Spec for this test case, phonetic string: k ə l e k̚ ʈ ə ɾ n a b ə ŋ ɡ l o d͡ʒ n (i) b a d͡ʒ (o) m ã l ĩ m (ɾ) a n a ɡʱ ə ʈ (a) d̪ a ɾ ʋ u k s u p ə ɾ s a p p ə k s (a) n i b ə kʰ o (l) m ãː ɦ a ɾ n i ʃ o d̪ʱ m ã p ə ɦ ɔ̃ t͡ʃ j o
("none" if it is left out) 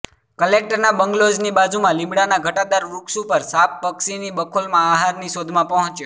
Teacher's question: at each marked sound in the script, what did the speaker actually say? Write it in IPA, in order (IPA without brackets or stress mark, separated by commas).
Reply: i, u, ɽ, a, i, l